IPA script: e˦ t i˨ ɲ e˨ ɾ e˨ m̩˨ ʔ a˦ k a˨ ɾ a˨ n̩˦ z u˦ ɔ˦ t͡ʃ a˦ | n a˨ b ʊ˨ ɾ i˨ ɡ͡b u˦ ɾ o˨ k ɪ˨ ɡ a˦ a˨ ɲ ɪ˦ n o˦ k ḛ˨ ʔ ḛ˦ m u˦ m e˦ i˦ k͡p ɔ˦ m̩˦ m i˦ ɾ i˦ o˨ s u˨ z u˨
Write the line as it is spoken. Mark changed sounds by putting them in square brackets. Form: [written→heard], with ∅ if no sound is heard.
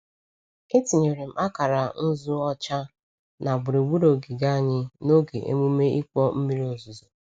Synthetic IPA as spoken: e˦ t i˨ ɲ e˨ ɾ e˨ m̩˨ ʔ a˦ k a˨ ɾ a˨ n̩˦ z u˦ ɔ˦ t͡ʃ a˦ | n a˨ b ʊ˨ ɾ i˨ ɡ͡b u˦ ɾ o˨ [k→ɡ] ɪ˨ ɡ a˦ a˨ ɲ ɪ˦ n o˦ [k→ɡ] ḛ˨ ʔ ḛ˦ m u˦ m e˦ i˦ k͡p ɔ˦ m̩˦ m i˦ ɾ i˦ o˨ [s→z] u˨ z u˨